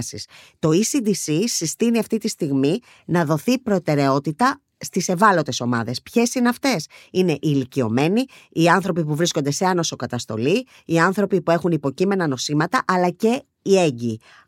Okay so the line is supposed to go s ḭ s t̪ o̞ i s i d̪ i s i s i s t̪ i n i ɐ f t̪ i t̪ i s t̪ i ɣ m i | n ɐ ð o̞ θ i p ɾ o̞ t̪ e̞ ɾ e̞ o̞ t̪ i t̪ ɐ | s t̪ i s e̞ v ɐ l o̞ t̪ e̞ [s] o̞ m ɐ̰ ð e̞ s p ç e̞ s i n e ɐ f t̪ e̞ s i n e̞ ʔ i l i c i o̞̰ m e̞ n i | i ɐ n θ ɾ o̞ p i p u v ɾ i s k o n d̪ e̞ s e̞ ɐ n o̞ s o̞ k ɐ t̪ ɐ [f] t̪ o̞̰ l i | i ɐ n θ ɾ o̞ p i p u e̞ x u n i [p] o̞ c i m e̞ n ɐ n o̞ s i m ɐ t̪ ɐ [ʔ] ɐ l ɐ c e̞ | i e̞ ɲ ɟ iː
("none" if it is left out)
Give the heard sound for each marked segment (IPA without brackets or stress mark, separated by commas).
s, s, p, ʔ